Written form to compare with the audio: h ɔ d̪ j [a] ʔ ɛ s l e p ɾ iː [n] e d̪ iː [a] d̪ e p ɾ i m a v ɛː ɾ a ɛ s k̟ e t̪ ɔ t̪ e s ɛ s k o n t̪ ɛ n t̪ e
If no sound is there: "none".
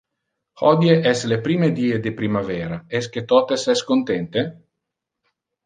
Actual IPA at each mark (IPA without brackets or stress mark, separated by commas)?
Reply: e, m, e